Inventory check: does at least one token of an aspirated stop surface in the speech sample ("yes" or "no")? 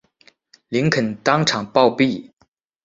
yes